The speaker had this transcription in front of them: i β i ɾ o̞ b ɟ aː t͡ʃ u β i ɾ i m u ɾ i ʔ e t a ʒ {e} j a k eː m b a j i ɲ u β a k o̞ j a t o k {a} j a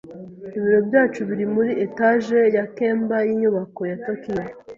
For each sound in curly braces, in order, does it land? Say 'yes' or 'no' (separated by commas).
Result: yes, no